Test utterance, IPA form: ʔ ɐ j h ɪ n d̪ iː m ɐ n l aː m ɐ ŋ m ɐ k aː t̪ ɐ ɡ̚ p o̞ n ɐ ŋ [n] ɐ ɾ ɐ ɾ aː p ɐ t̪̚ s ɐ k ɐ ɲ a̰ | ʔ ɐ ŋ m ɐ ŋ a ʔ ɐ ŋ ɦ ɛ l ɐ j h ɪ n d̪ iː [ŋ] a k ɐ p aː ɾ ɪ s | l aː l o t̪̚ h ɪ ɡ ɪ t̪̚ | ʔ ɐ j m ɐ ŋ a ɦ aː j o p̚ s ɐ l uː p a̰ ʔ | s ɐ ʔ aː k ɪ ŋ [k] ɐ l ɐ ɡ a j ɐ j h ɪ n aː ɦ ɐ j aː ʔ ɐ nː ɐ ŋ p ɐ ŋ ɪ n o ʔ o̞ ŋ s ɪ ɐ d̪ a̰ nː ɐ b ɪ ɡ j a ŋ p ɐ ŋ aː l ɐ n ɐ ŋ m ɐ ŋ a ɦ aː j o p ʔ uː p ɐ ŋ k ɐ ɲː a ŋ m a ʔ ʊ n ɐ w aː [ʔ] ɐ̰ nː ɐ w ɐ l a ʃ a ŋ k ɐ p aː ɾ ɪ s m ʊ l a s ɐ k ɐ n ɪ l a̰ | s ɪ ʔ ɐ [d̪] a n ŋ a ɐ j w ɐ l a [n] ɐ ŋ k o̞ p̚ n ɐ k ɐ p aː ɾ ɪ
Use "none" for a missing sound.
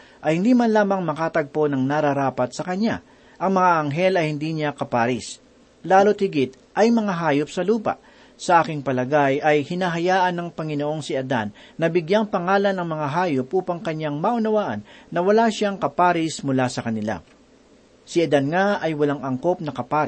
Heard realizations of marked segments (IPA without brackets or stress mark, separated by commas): n, ɲ, p, ʔ, d̪, ŋ